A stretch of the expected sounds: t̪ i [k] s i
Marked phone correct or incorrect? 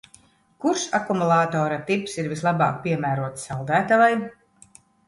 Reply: incorrect: p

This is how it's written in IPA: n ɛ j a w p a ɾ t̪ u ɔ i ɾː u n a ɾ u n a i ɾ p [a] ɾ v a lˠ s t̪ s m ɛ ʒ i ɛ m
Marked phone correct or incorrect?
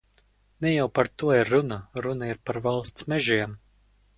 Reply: correct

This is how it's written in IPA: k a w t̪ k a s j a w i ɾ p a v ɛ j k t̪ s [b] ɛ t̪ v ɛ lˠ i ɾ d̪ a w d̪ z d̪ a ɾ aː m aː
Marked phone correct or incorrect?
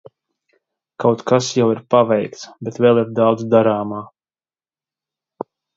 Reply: correct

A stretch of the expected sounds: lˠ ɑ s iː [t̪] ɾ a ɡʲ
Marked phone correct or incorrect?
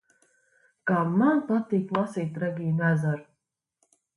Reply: correct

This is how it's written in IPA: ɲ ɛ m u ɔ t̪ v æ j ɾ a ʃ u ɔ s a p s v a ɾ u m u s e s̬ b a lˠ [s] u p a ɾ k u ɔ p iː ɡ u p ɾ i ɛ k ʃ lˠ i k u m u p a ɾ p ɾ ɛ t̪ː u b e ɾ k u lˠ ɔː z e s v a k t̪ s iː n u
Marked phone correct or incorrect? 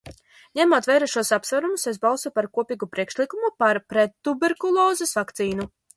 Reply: correct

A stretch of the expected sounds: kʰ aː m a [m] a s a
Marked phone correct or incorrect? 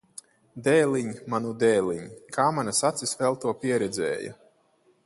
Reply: incorrect: n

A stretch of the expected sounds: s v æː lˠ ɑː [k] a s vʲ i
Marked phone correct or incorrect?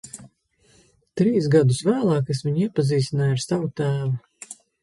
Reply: correct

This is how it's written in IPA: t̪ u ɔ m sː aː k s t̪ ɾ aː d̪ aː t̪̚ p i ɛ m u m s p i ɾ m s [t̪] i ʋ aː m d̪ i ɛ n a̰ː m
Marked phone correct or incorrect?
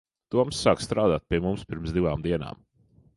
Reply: incorrect: d̪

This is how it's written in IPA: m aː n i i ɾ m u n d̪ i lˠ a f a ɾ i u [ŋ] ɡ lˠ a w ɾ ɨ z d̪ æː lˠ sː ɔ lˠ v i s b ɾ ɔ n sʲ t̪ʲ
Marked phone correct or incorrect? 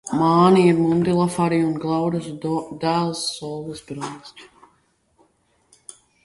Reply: incorrect: n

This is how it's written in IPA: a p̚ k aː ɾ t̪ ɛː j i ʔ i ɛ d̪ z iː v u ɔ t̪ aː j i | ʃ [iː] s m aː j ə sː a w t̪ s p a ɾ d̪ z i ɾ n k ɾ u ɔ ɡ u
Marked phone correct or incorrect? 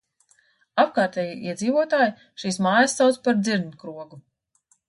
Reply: correct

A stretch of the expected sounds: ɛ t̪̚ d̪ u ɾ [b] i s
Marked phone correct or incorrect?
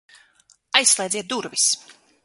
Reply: incorrect: v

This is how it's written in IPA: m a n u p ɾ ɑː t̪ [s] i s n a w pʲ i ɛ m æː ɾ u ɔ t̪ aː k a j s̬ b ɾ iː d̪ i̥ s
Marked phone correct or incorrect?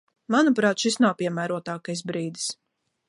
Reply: incorrect: ʃ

